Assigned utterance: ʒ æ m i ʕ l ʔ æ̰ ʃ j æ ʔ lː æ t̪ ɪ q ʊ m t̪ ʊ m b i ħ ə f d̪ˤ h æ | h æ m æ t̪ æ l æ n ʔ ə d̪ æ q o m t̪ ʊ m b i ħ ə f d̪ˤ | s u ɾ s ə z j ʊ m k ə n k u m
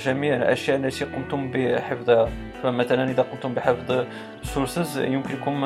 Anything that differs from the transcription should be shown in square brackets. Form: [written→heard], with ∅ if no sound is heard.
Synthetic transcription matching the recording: ʒ æ m i ʕ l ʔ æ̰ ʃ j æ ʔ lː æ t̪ [ɪ→i] q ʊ m t̪ ʊ m b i ħ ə f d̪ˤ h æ | [h→f] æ m æ t̪ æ l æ n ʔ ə d̪ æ q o m t̪ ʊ m b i ħ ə f d̪ˤ | s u ɾ s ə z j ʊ m k ə n k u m